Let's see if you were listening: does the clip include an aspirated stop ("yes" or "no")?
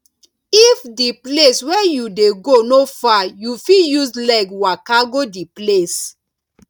no